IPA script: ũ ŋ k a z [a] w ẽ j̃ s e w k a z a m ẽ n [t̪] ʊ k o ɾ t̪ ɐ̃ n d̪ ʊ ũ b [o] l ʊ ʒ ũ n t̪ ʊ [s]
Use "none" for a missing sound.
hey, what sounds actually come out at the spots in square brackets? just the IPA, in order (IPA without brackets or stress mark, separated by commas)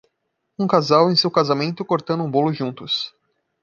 a, t̪, o, s